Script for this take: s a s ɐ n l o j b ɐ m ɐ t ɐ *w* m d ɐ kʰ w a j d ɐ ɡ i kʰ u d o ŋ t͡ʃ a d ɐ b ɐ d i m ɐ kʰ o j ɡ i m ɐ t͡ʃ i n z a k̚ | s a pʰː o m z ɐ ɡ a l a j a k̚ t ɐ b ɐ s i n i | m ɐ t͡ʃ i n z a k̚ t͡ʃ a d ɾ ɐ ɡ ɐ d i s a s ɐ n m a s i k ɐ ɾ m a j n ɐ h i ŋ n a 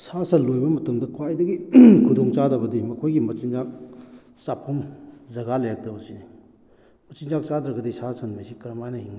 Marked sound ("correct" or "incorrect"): incorrect